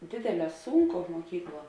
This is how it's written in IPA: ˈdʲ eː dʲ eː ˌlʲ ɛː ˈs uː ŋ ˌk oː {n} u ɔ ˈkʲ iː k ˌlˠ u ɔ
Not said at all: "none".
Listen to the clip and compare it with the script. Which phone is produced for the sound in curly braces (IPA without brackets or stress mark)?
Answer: m